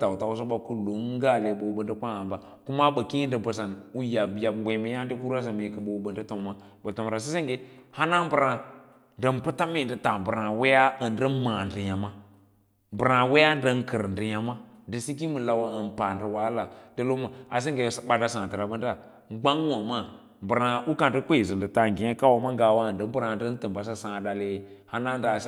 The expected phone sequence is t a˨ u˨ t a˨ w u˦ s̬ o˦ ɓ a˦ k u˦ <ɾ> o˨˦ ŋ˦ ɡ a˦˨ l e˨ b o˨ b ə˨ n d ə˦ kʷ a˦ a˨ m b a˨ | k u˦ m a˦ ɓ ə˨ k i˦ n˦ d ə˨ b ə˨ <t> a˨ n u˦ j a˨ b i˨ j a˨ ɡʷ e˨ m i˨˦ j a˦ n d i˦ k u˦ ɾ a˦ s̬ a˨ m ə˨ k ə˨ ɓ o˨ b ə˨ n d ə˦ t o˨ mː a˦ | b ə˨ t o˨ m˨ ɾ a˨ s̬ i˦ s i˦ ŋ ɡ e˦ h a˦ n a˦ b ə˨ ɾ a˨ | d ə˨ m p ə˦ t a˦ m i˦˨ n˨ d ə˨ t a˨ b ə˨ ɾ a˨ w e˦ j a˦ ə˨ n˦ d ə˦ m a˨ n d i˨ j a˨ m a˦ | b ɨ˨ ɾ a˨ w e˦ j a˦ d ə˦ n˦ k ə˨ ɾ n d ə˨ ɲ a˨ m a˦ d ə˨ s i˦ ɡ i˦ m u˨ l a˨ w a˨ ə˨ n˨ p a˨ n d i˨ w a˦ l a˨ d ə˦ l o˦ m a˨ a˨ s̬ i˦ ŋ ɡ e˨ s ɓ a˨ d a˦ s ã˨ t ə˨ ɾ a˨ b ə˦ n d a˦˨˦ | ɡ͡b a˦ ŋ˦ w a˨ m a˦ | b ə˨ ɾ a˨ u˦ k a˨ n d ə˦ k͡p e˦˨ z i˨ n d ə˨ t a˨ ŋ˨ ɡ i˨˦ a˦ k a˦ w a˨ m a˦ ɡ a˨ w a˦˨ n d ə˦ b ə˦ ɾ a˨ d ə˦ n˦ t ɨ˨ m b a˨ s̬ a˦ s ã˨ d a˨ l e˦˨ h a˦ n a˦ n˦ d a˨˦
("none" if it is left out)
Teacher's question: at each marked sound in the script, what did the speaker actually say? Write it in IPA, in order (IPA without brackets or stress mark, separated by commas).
l, s